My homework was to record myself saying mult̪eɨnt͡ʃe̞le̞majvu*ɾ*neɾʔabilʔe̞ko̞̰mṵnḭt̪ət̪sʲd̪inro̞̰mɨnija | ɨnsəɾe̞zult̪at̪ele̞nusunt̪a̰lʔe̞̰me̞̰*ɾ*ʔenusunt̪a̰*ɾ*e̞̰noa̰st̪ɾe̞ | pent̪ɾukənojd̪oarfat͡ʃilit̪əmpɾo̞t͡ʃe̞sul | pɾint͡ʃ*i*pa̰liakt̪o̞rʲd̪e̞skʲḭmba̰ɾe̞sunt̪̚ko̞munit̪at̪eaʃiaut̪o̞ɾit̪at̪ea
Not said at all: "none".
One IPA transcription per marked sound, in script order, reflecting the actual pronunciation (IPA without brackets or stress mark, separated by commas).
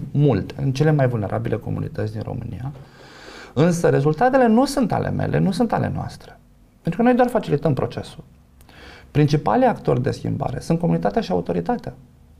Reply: l, l, l, i